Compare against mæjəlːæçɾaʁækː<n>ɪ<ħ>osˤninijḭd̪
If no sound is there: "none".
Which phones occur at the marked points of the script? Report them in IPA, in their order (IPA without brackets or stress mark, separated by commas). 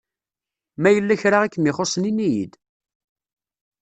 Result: m, χ